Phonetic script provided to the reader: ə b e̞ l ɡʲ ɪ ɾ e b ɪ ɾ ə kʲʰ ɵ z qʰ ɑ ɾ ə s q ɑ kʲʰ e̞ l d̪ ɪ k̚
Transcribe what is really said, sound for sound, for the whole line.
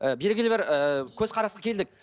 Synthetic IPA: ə b e̞ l ɡʲ ɪ l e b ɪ ɾ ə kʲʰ ɵ z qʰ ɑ ɾ ɑ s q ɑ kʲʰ e̞ l d̪ ɪ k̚

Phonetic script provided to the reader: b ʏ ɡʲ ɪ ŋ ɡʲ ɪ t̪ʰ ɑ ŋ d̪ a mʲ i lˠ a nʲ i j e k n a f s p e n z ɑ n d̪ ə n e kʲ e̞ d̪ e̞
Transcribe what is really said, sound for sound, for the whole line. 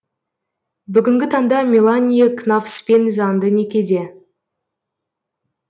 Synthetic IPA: b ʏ ɡʲ ɪ ŋ ɡʲ ɪ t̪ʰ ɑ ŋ d̪ ɑ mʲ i lˠ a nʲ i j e k n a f s p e n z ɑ n d̪ ə n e kʲ e̞ d̪ e̞

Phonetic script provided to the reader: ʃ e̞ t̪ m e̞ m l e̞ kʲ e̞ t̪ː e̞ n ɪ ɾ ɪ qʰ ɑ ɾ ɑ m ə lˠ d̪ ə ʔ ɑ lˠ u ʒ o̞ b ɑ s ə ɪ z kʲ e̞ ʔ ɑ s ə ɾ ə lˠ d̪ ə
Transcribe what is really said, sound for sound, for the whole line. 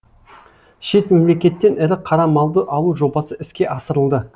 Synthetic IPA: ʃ e̞ t̪ m e̞ m l e̞ kʲ e̞ t̪ː e̞ n ɪ ɾ ɪ qʰ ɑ ɾ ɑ m ɑ lˠ d̪ ə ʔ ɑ lˠ u ʒ o̞ b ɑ s ə ɪ s kʲ e̞ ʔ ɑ s ə ɾ ə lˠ d̪ ə

